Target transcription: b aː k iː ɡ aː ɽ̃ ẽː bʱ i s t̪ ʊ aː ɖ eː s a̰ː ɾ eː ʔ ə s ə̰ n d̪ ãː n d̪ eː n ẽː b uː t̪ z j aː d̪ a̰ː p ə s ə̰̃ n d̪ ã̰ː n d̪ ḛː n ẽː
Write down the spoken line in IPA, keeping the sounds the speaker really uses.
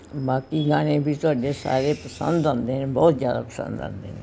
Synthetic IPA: b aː k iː ɡ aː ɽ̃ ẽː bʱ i t̪ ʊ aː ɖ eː s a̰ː ɾ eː p ə s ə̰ n d̪ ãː n d̪ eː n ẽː b ɔː t̪ z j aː d̪ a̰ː p ə s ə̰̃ n d̪ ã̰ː n d̪ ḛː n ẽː